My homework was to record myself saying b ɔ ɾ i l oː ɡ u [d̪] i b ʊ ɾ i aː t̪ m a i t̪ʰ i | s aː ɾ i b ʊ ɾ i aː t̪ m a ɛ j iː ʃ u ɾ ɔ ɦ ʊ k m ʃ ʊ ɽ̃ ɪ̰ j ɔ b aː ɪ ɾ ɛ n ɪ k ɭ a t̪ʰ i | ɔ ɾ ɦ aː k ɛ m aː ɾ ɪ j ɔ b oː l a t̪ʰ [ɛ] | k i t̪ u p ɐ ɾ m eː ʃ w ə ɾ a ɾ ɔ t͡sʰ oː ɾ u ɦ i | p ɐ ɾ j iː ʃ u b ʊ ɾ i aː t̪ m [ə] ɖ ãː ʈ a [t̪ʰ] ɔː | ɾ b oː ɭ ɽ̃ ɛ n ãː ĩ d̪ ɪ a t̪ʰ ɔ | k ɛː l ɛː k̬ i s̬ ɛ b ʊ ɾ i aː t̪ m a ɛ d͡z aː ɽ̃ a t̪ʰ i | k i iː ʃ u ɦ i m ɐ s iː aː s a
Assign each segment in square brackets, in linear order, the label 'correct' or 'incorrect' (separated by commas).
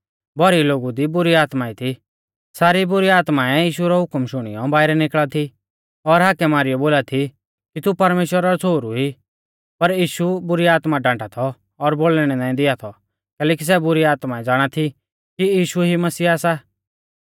correct, incorrect, incorrect, correct